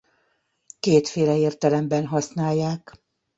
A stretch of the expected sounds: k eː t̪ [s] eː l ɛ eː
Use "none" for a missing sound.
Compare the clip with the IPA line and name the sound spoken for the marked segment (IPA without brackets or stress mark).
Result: f